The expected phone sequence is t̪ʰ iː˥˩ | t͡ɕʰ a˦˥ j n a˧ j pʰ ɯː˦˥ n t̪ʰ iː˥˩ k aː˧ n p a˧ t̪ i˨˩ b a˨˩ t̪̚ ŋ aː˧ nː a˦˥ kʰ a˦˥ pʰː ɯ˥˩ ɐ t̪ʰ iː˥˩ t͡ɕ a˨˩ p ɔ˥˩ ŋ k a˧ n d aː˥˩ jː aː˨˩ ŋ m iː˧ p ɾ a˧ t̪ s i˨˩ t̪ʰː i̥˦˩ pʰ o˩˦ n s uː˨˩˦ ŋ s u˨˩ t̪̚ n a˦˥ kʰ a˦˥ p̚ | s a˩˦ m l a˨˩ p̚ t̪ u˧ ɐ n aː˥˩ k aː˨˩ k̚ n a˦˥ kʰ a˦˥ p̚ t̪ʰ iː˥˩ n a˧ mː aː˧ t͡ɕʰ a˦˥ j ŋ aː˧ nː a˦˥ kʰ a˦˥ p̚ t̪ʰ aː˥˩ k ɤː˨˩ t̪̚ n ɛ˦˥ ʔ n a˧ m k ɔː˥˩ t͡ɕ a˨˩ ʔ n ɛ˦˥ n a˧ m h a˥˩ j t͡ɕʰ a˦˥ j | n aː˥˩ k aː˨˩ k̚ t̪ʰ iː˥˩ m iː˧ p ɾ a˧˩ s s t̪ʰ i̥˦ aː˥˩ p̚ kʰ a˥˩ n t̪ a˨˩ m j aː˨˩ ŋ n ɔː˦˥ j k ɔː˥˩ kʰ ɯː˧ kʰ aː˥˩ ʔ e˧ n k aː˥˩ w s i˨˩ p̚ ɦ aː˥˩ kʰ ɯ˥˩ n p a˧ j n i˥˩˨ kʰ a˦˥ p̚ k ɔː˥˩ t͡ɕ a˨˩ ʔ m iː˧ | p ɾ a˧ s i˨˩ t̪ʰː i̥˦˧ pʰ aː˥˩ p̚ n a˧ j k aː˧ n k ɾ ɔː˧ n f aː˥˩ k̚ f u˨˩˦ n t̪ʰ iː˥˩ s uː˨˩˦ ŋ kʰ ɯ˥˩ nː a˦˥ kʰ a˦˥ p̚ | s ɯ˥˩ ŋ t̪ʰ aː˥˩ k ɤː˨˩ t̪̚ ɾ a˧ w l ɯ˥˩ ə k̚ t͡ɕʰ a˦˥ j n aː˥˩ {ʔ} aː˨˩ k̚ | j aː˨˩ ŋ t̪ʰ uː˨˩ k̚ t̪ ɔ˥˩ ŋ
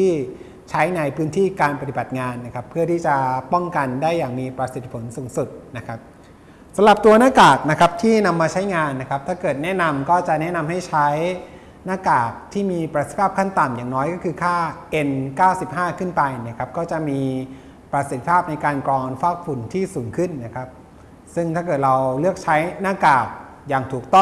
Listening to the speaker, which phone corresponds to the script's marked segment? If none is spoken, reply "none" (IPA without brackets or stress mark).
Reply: k